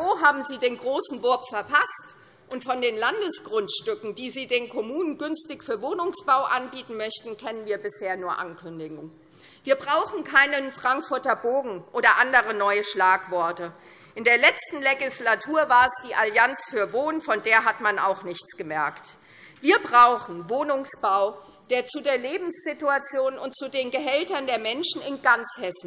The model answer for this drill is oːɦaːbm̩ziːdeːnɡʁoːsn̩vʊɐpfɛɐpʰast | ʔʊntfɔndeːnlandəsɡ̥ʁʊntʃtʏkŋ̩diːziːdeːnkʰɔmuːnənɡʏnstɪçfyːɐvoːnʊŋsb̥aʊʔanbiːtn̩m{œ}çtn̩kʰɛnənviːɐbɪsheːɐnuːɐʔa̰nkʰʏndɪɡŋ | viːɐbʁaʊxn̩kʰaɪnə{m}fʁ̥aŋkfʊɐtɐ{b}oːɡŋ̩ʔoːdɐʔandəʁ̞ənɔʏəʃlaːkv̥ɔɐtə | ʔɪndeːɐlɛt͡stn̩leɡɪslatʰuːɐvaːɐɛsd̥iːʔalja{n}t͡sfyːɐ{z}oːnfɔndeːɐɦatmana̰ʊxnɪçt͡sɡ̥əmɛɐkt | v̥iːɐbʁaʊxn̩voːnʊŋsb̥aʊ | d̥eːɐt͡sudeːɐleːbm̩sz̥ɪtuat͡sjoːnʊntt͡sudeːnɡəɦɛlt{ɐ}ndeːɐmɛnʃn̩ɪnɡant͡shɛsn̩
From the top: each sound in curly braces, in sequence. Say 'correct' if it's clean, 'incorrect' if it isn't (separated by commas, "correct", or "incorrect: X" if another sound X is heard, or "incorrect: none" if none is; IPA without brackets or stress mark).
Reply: correct, incorrect: n, correct, correct, incorrect: v, correct